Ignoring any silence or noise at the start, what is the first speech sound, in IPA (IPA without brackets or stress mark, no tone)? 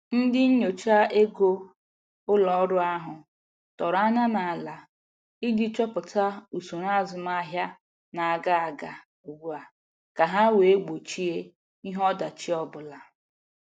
n̩